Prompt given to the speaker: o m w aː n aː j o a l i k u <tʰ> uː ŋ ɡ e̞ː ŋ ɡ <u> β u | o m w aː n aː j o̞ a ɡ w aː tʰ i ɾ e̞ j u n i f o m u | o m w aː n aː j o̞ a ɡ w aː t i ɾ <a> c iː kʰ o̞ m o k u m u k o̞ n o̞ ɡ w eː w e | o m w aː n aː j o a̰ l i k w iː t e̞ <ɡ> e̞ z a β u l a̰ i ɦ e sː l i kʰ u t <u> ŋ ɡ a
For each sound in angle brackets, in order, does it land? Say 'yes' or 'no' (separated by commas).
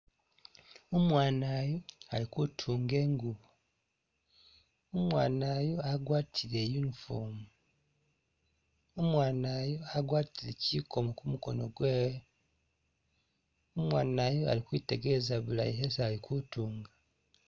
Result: yes, yes, no, yes, no